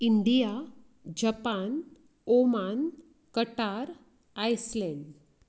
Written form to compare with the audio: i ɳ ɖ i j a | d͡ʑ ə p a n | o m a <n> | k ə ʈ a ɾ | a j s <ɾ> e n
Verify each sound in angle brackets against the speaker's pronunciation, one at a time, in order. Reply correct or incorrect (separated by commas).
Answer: correct, incorrect